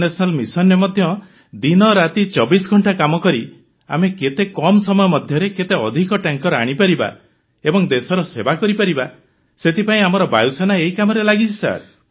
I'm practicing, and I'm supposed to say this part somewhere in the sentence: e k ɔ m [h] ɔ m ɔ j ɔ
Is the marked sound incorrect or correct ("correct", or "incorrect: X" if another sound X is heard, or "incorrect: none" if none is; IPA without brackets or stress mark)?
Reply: incorrect: s